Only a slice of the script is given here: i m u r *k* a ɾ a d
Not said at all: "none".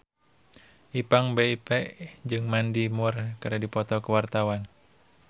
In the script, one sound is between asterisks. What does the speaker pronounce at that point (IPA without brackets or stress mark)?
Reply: k